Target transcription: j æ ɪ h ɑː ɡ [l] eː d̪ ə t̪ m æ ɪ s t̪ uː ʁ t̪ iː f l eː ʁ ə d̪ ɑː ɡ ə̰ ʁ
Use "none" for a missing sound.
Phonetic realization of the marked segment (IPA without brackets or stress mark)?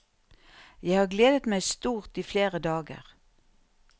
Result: l